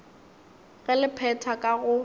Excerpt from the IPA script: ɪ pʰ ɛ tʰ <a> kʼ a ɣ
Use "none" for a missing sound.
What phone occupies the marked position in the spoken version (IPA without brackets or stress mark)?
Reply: a